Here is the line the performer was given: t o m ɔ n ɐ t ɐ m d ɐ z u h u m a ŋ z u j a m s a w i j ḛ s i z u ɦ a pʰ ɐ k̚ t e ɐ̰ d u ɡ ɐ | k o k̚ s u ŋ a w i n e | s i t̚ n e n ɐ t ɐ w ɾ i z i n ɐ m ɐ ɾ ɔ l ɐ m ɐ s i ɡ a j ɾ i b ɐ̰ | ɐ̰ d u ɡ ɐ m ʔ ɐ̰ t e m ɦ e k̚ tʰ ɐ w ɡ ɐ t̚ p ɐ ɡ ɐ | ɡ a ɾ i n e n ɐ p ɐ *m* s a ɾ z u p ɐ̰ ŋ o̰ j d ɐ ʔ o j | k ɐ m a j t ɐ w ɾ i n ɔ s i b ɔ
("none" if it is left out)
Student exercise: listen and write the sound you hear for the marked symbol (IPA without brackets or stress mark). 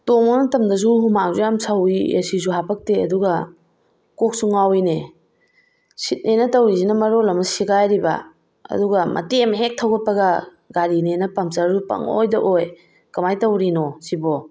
m